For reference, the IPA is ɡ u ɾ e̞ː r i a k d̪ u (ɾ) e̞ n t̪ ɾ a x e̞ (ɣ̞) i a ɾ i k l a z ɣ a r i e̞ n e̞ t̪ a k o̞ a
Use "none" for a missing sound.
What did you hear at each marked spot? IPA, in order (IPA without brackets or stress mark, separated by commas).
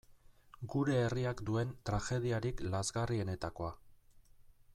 none, ð̞